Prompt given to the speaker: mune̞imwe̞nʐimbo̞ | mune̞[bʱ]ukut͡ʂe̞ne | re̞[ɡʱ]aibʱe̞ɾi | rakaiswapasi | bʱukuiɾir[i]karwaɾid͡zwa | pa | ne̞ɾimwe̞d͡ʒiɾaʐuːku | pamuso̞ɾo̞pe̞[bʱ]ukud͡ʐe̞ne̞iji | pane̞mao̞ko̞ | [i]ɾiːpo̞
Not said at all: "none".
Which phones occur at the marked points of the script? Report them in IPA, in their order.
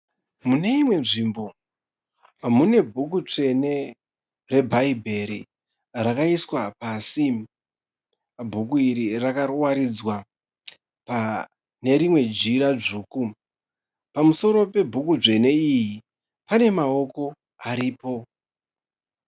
bʱ, bʱ, a, bʱ, a

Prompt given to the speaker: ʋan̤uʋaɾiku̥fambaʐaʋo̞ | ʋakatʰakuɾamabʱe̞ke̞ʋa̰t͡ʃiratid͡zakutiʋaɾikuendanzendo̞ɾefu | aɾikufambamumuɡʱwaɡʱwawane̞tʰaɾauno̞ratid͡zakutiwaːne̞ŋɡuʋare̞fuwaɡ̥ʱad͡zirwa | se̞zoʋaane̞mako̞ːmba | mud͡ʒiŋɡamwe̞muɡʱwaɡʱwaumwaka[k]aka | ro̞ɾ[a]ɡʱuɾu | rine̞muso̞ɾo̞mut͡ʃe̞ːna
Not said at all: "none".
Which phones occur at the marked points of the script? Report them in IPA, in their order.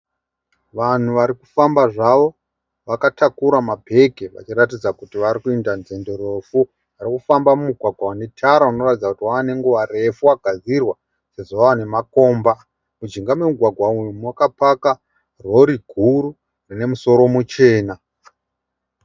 p, i

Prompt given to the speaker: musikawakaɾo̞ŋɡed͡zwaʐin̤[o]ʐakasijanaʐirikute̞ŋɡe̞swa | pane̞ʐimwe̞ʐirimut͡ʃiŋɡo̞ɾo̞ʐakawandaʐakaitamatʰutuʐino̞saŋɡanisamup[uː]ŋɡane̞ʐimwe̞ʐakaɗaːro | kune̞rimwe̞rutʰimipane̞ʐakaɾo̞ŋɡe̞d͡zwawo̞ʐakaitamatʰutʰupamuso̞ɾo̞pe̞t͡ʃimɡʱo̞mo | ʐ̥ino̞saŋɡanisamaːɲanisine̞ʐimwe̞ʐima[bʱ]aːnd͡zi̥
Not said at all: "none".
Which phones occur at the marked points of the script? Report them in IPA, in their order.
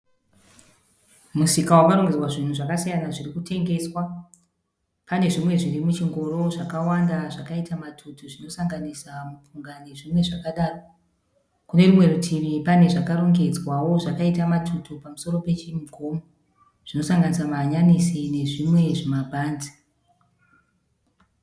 u, u, bʱ

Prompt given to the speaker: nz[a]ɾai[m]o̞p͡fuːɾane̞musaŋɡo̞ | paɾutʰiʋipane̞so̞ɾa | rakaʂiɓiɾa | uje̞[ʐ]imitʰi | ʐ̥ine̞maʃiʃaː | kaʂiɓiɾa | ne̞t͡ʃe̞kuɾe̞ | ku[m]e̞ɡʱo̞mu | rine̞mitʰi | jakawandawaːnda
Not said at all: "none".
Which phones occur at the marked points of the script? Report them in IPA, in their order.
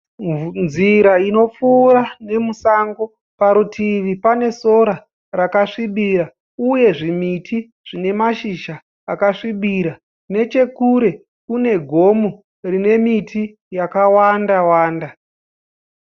i, n, ʐ, n

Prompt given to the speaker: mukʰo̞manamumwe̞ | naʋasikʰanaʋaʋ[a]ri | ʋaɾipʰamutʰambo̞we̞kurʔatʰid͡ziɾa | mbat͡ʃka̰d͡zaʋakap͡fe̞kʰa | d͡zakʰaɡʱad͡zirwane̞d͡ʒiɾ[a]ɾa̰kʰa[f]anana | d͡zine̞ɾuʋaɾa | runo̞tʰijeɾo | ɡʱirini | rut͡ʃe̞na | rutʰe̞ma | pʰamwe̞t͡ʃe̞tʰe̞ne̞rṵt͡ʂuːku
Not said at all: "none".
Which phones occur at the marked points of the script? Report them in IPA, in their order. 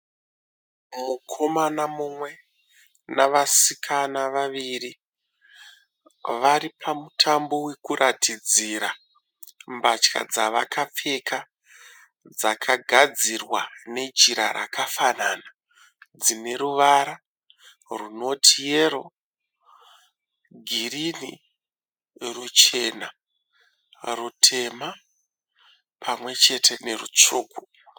i, a, f

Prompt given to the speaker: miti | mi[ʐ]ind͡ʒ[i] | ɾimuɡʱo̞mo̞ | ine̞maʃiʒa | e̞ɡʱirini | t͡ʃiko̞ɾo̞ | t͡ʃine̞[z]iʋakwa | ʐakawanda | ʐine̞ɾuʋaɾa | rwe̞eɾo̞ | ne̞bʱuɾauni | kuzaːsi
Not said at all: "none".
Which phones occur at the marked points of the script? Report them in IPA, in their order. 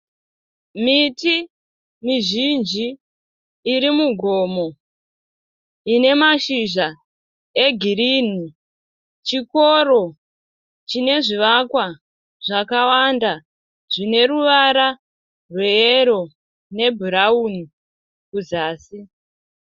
ʒ, iː, ʐ

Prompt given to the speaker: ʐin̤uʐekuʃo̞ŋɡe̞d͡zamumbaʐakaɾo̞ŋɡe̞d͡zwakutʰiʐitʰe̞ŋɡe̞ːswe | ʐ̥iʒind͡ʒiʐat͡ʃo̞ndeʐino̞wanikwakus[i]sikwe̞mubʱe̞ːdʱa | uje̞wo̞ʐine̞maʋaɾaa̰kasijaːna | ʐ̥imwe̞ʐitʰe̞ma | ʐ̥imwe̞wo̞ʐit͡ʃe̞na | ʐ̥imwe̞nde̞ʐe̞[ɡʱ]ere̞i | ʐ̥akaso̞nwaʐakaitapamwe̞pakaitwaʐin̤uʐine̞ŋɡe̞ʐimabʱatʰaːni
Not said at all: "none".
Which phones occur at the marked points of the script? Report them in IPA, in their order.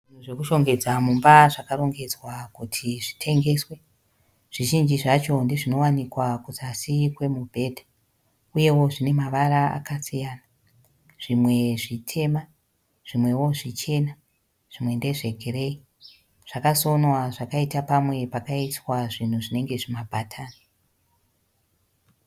a, ɡʱ

